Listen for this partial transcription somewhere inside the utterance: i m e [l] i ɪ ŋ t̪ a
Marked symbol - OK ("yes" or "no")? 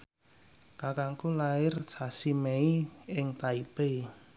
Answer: no